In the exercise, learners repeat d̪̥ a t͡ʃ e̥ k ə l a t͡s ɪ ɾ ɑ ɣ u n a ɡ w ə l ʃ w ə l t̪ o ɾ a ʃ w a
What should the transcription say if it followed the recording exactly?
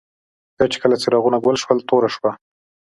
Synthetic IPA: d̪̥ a t͡ʃ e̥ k ə l a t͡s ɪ ɾ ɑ ɣ u n a ɡ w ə l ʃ w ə l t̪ o ɾ a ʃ w a